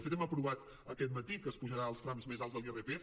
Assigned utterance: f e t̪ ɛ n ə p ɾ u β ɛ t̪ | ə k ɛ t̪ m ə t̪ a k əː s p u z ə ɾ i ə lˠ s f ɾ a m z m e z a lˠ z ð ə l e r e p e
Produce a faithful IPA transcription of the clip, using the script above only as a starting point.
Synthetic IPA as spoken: f e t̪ ɛ m ə p ɾ u β a t̪ | ə k ɛ t̪ m ə t̪ i k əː s p u ʒ ə ɾ a ə lˠ s f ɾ a m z m e z a lˠ z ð ə l e r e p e